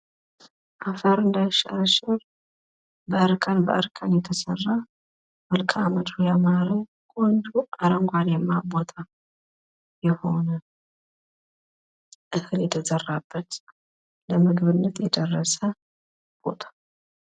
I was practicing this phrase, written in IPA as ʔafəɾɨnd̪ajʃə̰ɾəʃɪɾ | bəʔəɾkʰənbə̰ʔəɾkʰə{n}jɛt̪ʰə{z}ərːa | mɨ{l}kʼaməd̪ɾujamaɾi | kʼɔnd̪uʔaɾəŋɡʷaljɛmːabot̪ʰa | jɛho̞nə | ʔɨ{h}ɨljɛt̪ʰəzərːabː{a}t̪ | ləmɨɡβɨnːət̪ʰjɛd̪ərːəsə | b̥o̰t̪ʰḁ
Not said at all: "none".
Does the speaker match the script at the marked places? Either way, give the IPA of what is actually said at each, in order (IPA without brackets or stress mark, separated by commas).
n, s, l, h, ə